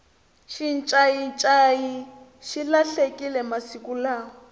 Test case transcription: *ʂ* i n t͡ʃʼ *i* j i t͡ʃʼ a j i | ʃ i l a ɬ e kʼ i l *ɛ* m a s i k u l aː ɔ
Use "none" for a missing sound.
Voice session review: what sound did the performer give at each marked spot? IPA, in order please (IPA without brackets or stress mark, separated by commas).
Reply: ʃ, a, ɛ